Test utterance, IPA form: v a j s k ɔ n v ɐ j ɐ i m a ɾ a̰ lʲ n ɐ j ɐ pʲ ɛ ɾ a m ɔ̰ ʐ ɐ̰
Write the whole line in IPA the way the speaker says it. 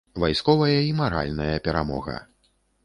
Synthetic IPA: v a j s k ɔ v ɐ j ɐ i m a ɾ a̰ lʲ n ɐ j ɐ pʲ ɛ ɾ a m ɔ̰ ɣ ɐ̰